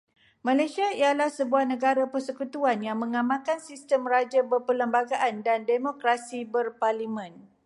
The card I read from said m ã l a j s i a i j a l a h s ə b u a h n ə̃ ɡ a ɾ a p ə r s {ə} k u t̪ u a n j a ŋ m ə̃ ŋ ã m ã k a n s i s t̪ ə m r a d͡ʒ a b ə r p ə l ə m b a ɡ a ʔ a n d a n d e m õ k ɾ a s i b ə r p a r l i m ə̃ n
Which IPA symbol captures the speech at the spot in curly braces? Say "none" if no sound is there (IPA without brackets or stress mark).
ə